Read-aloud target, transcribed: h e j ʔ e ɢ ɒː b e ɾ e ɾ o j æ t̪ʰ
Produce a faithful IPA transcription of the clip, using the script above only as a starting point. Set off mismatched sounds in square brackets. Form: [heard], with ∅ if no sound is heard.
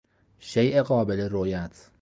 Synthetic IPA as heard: [ʃ] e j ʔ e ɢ ɒː b e [l] e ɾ o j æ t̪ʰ